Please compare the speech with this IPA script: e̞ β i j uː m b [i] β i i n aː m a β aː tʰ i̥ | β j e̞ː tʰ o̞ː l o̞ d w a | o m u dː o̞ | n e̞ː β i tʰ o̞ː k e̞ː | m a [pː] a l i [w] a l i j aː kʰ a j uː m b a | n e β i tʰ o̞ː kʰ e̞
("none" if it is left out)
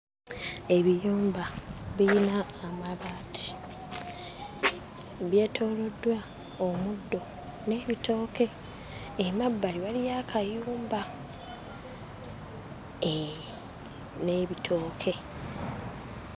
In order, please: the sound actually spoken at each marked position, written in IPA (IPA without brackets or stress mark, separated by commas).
a, bː, β